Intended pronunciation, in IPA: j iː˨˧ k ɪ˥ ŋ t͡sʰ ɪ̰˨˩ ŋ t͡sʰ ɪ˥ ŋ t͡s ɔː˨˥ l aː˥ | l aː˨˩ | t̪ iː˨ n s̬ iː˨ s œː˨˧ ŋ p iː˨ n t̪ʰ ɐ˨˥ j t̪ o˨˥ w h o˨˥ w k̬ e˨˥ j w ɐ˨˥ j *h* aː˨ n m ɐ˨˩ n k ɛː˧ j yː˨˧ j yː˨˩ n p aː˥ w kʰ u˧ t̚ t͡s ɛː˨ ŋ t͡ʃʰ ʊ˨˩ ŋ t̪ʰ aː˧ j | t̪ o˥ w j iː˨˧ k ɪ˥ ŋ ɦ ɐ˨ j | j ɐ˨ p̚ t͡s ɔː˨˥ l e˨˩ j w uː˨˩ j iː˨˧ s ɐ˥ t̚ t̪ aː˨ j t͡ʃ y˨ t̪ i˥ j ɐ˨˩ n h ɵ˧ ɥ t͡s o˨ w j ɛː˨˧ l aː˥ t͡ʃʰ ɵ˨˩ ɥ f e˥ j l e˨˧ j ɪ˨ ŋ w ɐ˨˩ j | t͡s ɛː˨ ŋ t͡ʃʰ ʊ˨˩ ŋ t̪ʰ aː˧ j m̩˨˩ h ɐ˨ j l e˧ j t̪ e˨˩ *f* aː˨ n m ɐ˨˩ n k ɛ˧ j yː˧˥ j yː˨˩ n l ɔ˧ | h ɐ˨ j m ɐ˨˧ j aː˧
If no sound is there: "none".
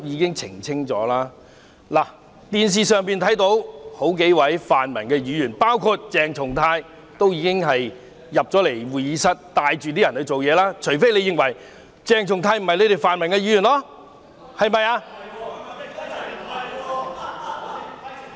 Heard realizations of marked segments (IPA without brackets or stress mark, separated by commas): f, f